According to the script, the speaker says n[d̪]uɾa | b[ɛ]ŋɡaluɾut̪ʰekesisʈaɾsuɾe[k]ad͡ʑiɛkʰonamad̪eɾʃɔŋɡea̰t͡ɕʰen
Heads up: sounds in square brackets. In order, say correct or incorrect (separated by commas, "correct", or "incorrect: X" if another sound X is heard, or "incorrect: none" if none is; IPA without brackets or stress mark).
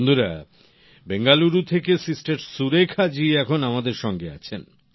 correct, incorrect: e, incorrect: kʰ